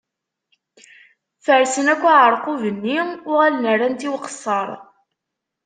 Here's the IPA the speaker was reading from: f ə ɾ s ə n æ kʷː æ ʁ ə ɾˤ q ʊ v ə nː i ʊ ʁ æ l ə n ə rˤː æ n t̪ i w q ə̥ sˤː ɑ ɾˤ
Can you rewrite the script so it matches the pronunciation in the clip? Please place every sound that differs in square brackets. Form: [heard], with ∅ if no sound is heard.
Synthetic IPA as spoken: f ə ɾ s ə n æ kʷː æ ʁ ə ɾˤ q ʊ v ə nː i ʊ ʁ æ l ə n ə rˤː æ n t̪ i w q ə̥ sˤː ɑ ɾˤ